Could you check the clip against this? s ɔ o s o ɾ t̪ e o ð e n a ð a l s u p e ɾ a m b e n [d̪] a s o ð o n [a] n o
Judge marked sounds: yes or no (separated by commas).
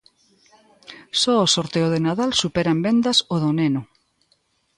yes, no